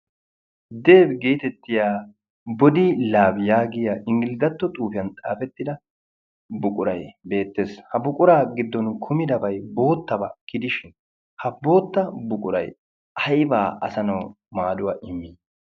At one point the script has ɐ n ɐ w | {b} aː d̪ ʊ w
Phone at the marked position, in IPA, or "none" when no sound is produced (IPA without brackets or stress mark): m